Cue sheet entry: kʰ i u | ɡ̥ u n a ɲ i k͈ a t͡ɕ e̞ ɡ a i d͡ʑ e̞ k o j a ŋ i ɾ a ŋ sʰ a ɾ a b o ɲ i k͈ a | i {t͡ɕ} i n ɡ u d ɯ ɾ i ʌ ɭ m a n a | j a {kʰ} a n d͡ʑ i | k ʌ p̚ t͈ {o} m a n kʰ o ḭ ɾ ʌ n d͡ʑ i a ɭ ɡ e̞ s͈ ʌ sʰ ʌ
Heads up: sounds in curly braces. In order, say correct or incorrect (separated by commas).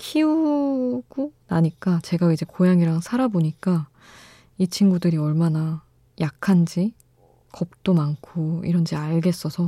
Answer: incorrect, correct, correct